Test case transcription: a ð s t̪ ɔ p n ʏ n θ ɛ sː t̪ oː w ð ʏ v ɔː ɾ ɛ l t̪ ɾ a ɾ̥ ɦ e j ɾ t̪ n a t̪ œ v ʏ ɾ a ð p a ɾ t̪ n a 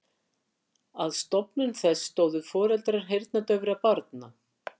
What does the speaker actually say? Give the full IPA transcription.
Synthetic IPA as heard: a ð s t̪ ɔ p n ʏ n θ ɛ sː t̪ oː w ð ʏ f ɔː ɾ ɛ l t̪ ɾ a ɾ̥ ɦ e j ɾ t̪ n a t̪ œ v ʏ ɾ a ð p a ɾ t̪ n a

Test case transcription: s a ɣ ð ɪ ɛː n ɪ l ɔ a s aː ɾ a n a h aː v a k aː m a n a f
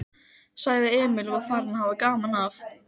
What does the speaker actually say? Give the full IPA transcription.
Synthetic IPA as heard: s a ɣ ð ɪ ɛː m ɪ l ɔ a f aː ɾ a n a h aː v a k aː m a n a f

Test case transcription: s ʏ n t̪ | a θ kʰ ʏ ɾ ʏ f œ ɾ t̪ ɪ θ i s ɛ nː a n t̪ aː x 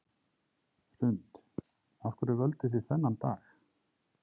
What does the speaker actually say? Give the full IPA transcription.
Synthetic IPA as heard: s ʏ n t̪ | a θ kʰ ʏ ɾ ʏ v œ l t̪ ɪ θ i θ ɛ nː a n t̪ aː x

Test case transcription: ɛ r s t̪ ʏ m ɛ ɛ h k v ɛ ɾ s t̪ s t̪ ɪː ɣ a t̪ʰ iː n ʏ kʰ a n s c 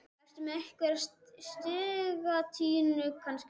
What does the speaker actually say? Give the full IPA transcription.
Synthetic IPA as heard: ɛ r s t̪ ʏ m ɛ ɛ h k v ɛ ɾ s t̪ s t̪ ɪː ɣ a t̪ʰ iː n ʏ kʰ a n s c

